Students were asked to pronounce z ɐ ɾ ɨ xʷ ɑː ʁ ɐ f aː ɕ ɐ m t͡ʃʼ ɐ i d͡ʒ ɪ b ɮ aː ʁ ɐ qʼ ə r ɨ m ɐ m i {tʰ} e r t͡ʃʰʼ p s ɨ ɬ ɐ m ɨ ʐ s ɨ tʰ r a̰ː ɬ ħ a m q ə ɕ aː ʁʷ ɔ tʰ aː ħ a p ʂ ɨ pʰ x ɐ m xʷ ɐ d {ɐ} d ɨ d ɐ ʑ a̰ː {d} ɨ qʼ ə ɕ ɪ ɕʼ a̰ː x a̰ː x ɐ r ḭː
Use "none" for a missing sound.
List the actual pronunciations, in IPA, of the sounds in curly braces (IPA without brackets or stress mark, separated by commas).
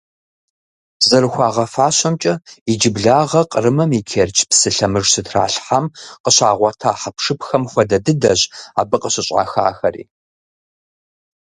kʰ, ɐ, b